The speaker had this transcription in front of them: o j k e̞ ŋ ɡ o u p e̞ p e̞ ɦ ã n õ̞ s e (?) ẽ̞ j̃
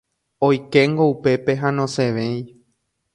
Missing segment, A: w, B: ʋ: B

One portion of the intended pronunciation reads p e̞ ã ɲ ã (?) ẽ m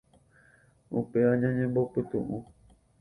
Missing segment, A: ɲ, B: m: A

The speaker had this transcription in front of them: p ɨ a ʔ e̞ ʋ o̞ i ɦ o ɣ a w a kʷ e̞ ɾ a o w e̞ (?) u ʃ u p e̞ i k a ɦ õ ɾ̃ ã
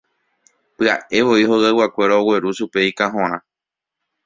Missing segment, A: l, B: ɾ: B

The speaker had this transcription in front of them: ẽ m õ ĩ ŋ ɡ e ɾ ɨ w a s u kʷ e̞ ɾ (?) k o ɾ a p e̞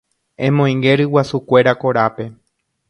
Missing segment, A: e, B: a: B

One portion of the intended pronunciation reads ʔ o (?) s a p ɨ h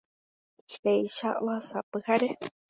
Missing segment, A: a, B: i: A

